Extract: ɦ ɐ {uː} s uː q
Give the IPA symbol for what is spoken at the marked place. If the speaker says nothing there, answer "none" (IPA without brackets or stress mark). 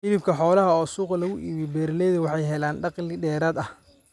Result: ɔː